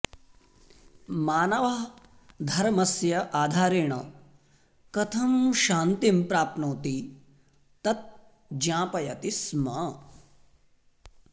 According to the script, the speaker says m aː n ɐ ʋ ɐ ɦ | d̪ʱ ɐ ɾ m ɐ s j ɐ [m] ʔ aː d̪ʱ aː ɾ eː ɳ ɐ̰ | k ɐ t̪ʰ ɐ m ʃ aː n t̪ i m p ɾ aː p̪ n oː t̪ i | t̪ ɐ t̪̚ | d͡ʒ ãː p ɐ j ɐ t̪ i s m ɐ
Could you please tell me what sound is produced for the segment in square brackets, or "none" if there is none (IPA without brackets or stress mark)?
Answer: none